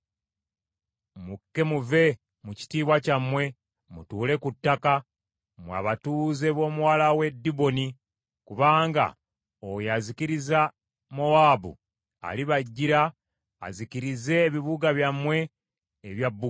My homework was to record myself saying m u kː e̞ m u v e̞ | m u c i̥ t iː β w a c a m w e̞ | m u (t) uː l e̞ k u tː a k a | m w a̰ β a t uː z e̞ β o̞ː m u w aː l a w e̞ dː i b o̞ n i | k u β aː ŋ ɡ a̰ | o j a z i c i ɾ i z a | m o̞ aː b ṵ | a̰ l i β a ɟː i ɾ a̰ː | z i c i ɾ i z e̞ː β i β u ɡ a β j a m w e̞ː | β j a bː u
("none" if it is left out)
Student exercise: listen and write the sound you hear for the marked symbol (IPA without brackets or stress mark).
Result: t